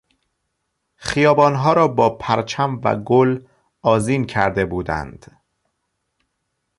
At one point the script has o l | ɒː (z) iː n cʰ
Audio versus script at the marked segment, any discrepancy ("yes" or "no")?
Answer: no